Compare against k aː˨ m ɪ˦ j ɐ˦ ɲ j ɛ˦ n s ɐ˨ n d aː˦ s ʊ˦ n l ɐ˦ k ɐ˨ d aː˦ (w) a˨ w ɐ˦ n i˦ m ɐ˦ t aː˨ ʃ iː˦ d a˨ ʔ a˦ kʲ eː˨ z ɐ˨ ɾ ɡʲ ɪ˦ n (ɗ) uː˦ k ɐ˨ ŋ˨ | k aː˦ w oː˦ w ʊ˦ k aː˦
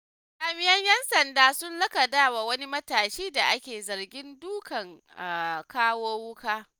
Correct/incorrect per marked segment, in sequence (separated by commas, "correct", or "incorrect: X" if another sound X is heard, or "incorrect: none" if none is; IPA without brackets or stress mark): correct, incorrect: d